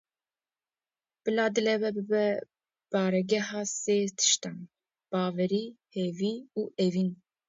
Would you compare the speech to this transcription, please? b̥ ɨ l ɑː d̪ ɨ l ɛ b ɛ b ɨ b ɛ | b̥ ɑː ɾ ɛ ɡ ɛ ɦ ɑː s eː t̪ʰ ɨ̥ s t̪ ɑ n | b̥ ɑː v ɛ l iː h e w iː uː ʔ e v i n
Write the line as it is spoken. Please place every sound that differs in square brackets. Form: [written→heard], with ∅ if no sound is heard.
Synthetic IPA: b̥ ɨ l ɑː d̪ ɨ l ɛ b ɛ b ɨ b ɛ | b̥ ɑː ɾ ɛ ɡ ɛ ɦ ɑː s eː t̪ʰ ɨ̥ [s→ʃ] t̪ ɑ n | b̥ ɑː v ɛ [l→ɾ] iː h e [w→v] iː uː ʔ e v i n